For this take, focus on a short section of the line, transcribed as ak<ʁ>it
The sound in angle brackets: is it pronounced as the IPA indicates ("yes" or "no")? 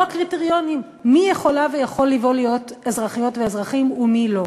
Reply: yes